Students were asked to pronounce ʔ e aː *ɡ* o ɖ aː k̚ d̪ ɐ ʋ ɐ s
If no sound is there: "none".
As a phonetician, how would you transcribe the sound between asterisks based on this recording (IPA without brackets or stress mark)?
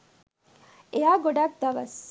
ɡ